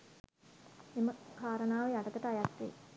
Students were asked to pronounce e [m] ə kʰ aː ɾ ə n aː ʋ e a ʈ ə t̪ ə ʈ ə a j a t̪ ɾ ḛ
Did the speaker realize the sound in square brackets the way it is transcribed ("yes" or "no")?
yes